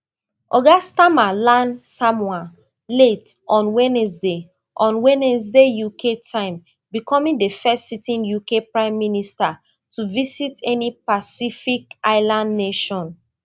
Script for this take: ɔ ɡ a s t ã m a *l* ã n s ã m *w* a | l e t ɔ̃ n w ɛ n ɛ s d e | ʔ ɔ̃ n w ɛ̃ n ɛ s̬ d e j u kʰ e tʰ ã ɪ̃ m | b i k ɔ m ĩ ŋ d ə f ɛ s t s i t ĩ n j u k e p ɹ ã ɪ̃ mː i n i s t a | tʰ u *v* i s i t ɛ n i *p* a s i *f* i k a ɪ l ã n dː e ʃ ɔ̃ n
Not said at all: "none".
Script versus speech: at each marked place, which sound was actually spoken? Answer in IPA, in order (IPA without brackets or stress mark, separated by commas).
l, w, v, p, f